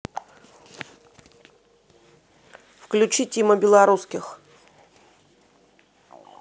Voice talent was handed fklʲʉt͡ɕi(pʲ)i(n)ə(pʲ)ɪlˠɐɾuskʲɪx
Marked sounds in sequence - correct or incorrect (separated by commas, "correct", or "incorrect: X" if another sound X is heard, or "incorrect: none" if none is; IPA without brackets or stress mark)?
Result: incorrect: tʲ, incorrect: m, incorrect: bʲ